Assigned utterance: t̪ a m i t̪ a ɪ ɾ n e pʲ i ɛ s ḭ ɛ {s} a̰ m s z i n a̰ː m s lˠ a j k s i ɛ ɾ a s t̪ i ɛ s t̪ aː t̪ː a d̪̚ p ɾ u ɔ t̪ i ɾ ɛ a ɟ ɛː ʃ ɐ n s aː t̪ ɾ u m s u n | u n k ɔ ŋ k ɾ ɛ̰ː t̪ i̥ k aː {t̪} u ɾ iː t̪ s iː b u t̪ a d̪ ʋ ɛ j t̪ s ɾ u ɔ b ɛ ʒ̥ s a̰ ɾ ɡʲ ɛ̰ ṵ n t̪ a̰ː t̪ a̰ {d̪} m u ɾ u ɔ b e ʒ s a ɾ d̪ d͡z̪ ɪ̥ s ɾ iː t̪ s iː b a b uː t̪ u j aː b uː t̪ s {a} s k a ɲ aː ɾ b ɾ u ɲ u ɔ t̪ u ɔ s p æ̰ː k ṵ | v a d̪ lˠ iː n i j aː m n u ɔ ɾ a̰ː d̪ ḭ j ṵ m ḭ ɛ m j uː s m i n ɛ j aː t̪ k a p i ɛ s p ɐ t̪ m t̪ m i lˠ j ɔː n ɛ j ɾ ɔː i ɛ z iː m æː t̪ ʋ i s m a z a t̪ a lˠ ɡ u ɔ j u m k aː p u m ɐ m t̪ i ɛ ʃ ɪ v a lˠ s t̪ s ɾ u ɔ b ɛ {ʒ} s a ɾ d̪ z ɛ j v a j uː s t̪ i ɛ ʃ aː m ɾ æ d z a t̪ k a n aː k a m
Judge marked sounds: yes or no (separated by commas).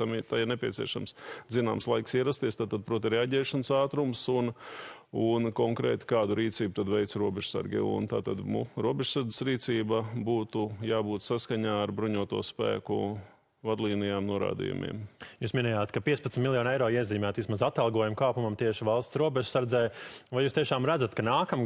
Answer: no, no, yes, yes, yes